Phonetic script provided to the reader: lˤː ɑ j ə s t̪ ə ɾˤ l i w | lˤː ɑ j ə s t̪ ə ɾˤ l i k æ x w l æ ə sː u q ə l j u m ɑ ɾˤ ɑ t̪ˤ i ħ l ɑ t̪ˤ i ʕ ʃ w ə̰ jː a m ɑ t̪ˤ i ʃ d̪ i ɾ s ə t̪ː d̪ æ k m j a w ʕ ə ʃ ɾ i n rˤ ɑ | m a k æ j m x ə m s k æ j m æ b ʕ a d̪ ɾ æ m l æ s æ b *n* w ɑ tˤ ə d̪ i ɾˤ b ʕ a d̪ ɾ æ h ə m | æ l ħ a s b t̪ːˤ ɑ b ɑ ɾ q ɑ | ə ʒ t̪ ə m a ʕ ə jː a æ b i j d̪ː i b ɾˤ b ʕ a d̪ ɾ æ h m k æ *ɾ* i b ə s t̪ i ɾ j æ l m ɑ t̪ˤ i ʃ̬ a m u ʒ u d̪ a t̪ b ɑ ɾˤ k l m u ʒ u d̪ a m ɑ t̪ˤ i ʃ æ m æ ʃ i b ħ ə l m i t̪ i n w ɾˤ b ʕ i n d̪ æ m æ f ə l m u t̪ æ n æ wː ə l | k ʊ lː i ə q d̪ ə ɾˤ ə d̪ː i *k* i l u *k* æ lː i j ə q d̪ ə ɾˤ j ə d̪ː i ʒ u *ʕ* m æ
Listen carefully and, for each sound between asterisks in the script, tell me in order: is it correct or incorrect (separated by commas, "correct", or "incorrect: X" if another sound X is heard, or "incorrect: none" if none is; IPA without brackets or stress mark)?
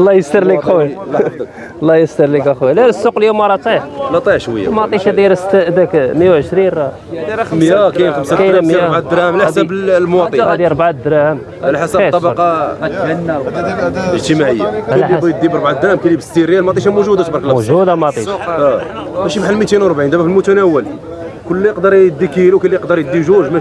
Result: incorrect: m, incorrect: l, correct, correct, incorrect: ʒ